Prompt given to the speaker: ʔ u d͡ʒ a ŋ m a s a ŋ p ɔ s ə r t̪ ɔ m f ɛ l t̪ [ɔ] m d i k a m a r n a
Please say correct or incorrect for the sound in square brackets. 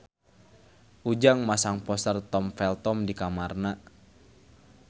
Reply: correct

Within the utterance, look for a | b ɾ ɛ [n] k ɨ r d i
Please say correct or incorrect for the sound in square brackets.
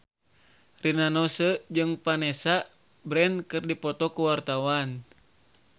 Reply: correct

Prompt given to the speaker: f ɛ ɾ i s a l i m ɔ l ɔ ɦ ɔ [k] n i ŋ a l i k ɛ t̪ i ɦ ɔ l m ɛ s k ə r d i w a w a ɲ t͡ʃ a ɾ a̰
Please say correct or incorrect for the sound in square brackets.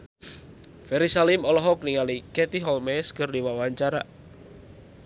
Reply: correct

